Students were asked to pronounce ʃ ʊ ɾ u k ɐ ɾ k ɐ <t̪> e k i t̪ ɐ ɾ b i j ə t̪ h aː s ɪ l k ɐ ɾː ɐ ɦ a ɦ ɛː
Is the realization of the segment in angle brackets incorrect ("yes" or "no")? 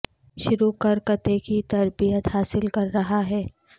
no